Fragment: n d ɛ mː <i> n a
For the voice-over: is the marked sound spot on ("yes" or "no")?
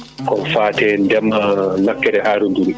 no